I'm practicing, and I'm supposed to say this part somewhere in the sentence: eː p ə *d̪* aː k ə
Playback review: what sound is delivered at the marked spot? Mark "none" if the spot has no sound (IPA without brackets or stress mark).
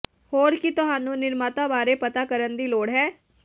t̪